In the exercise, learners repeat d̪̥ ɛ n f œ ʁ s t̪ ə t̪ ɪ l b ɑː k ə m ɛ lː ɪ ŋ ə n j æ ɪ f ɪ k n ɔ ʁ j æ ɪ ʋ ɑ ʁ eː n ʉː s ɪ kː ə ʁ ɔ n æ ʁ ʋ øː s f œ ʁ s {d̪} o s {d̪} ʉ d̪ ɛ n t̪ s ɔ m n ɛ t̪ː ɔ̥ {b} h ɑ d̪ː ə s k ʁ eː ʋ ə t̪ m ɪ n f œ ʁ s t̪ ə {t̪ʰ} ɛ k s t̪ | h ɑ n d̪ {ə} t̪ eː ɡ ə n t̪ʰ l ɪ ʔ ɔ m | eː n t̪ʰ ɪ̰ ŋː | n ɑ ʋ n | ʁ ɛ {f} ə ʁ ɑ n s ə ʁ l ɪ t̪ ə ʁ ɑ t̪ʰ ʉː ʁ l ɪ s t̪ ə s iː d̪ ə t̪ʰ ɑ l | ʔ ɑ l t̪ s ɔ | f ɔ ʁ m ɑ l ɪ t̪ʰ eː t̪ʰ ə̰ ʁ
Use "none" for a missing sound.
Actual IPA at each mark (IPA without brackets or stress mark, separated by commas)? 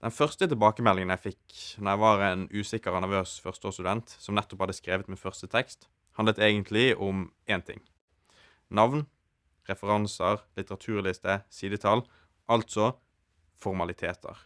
t̪, t̪, p, t̪ʰ, ə, f